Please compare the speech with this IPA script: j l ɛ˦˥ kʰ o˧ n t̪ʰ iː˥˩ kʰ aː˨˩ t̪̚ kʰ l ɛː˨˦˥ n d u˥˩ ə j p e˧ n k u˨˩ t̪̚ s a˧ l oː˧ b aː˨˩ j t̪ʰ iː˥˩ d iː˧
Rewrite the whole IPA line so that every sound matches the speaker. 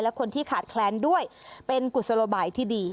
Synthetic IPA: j l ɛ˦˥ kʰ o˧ n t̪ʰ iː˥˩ kʰ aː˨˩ t̪̚ kʰ l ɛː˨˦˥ n d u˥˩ ə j p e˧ n k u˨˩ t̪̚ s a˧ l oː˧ b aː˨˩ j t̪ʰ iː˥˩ d iː˧